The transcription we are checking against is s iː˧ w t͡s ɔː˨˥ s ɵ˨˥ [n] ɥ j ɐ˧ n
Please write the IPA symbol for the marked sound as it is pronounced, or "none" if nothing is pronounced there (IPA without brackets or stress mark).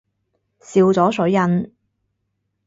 none